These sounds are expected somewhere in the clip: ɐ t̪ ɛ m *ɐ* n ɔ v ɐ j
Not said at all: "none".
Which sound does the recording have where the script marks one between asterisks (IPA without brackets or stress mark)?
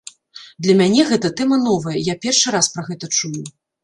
ɐ